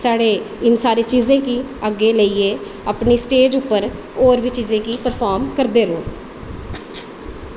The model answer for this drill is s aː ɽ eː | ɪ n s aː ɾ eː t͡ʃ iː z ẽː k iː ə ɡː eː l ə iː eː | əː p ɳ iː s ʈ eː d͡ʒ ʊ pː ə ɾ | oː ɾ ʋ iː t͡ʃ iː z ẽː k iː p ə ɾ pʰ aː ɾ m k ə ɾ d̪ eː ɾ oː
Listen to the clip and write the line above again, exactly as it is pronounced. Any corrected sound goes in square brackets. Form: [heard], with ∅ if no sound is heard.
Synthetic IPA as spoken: s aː ɽ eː | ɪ n s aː ɾ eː t͡ʃ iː z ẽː k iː ə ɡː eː l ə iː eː | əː p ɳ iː s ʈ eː d͡ʒ ʊ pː ə ɾ | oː ɾ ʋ iː t͡ʃ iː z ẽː k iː p ə ɾ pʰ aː ɾ m k ə ɾ d̪ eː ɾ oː

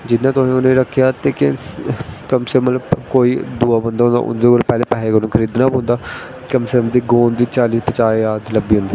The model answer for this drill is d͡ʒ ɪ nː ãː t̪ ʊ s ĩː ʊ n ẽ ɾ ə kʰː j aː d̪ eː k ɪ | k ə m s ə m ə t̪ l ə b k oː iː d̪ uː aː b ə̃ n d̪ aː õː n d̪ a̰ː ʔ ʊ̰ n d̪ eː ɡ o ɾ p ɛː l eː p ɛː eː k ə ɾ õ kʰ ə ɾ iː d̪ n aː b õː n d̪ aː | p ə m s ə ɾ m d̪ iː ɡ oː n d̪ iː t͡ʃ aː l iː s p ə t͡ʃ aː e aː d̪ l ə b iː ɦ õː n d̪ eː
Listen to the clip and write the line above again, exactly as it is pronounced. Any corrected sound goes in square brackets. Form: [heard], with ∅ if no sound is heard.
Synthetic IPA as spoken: d͡ʒ ɪ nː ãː t̪ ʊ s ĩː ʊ n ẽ ɾ ə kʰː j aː [t̪] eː k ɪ | k ə m s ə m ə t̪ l ə b k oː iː d̪ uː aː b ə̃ n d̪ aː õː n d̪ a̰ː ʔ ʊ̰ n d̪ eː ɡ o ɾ p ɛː l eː p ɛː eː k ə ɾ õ kʰ ə ɾ iː d̪ n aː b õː n d̪ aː | [k] ə m s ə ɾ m d̪ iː ɡ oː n d̪ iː t͡ʃ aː l iː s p ə t͡ʃ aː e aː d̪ l ə b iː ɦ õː n d̪ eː

